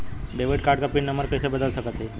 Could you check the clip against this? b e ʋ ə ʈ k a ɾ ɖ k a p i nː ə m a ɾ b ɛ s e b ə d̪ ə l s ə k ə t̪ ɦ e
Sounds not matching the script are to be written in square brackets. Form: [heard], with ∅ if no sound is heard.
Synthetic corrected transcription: b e ʋ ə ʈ k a ɾ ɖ k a p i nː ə m [ə] ɾ [p] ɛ s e b ə d̪ ə l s ə k ə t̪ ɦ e